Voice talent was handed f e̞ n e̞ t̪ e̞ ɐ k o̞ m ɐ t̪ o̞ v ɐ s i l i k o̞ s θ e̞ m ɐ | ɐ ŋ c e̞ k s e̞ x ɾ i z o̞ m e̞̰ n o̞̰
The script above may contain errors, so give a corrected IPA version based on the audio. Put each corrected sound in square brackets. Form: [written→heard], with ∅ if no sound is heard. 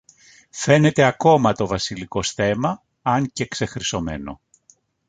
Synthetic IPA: f e̞ n e̞ t̪ e̞ ɐ k o̞ m ɐ t̪ o̞ v ɐ s i l i k o̞ s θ e̞ m ɐ | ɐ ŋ c e̞ k s e̞ x ɾ i [z→s] o̞ m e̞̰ n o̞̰